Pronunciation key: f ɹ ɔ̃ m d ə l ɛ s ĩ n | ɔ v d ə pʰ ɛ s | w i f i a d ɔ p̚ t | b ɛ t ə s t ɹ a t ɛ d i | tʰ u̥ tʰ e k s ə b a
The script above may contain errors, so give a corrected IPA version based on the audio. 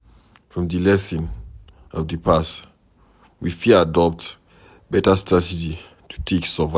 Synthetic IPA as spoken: f ɹ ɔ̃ m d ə l ɛ s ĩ n | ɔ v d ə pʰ a s | w i f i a d ɔ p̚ t | b ɛ t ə s t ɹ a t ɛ d͡ʒ i | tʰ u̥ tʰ e k s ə v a